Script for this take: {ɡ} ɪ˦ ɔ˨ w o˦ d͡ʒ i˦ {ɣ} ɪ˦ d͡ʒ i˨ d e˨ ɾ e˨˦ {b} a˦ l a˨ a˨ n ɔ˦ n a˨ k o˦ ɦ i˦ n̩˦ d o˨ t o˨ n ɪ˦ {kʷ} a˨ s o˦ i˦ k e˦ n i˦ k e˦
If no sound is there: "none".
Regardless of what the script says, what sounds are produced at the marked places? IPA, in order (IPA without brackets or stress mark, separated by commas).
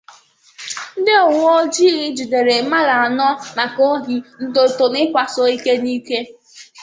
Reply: d, ɣ, m, kʷ